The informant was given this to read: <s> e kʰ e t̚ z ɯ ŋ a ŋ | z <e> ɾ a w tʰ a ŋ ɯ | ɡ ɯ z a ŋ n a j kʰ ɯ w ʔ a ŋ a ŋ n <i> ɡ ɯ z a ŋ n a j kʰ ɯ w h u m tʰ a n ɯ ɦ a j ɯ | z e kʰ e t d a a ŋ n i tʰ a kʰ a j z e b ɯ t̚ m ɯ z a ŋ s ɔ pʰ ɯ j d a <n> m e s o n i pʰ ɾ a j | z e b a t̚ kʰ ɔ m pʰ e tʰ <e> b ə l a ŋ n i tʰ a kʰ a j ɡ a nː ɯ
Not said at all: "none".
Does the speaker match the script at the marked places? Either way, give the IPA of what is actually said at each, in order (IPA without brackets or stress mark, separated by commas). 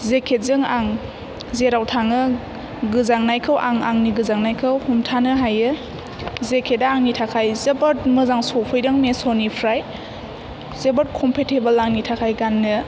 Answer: z, e, i, ŋ, e